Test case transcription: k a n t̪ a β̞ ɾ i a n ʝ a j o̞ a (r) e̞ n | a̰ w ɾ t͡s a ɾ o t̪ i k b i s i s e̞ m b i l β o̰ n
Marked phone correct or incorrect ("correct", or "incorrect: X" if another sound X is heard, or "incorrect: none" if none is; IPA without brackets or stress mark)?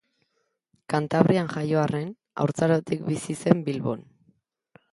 correct